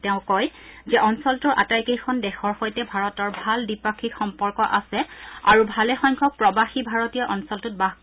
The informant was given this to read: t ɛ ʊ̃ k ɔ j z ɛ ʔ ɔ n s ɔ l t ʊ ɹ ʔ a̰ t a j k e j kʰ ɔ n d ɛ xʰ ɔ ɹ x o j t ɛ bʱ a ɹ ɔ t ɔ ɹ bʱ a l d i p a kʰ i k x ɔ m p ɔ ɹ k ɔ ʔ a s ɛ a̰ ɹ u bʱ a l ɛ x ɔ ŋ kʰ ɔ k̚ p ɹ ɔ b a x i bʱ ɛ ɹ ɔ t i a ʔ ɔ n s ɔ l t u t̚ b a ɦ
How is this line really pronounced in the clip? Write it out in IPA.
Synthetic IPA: t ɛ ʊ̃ k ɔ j z ɛ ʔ ɔ n s ɔ l t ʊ ɹ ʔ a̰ t a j k e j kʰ ɔ n d ɛ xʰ ɔ ɹ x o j t ɛ bʱ a ɹ ɔ t ɔ ɹ bʱ a l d i p a kʰ i k x ɔ m p ɔ ɹ k ɔ ʔ a s ɛ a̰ ɹ u bʱ a l ɛ x ɔ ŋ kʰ ɔ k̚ p ɹ ɔ b a x i bʱ a ɹ ɔ t i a ʔ ɔ n s ɔ l t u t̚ b a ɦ